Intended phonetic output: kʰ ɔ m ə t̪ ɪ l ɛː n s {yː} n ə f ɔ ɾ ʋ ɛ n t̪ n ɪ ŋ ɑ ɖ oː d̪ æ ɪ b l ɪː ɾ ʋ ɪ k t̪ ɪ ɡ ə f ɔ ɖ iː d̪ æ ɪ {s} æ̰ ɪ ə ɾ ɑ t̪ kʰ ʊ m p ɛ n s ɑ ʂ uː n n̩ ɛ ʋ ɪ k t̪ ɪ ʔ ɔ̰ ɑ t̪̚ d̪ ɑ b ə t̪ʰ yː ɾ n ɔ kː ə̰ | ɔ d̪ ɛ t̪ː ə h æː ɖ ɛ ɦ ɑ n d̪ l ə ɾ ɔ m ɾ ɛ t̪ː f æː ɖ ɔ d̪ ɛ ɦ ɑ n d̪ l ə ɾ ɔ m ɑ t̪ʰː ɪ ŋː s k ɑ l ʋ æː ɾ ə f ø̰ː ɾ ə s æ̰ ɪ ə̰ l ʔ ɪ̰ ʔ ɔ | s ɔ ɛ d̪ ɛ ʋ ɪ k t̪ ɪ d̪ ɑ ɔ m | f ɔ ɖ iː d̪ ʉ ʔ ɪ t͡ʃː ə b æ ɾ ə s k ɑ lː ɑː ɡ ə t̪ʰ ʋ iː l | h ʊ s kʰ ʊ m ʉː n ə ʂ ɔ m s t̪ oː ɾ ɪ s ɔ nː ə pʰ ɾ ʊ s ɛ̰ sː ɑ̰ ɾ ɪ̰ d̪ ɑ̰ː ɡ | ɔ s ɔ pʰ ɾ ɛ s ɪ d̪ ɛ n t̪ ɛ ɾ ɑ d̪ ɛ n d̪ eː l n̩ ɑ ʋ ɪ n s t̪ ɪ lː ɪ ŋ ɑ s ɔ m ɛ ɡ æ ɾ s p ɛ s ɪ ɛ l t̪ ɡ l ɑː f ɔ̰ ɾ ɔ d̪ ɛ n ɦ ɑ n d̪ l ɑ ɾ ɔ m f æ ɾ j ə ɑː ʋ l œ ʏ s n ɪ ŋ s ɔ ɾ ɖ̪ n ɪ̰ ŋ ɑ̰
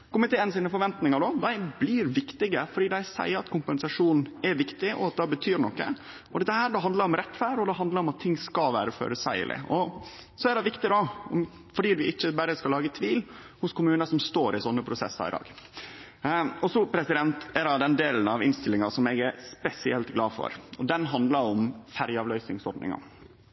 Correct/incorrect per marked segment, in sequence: incorrect: iː, correct

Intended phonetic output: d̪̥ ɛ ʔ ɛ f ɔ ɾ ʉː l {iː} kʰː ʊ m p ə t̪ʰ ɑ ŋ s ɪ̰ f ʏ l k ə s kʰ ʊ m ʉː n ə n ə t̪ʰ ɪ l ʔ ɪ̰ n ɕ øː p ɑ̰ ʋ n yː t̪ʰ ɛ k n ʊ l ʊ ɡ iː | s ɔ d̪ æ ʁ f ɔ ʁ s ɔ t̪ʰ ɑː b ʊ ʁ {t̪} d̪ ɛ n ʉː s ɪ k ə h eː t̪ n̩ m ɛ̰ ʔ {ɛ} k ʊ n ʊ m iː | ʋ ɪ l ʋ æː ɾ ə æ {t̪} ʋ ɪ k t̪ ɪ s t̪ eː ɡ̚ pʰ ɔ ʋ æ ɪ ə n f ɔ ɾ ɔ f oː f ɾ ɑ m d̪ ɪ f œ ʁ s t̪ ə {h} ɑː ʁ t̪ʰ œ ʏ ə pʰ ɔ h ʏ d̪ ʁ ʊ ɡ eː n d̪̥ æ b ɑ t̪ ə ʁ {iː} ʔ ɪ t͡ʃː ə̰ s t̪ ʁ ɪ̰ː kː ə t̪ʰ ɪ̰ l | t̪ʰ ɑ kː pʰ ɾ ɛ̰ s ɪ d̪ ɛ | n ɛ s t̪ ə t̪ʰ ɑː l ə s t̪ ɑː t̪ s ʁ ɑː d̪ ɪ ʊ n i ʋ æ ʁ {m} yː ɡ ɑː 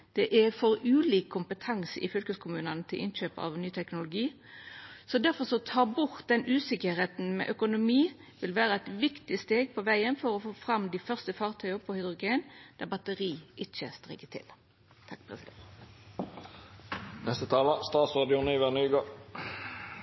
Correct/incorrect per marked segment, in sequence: correct, correct, incorrect: œ, correct, incorrect: f, correct, incorrect: n

